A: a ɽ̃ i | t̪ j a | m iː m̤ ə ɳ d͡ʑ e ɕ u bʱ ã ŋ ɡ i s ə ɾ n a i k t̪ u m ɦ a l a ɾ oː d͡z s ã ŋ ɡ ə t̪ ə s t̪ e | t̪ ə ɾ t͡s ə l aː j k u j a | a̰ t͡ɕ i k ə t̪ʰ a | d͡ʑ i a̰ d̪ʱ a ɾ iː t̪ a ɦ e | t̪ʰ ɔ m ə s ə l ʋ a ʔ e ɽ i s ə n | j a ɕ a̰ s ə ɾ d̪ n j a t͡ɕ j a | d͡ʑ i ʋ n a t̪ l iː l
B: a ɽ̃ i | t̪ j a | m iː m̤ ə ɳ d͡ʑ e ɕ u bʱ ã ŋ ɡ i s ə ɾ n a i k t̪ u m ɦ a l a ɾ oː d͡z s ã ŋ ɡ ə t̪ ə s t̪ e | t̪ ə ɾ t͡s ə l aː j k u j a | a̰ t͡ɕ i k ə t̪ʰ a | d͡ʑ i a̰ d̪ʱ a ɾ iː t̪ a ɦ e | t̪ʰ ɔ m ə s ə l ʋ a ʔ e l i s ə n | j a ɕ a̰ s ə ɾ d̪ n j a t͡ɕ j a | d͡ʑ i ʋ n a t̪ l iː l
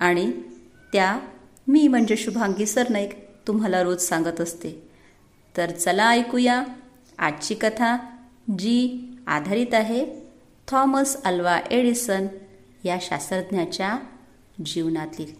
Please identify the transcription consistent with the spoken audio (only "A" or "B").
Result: A